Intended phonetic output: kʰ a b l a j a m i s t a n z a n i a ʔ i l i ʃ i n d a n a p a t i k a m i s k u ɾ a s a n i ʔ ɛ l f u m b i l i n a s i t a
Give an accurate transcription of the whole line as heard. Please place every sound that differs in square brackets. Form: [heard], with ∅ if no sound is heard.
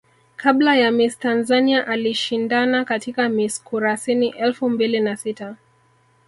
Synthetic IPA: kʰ a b l a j a m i s t a n z a n i a ʔ [a] l i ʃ i n d a n a [k] a t i k a m i s k u ɾ a s [i] n i ʔ ɛ l f u m b i l i n a s i t a